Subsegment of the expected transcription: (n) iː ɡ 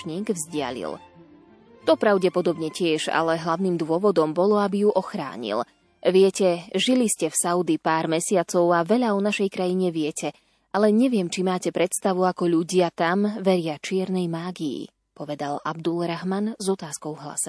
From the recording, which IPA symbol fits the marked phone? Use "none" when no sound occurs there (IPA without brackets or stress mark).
ɲ